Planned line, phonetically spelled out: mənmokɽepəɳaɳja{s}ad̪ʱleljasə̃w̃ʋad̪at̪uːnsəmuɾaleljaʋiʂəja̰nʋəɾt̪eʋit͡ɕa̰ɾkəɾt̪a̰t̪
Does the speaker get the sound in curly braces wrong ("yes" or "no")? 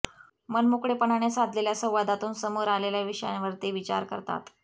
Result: no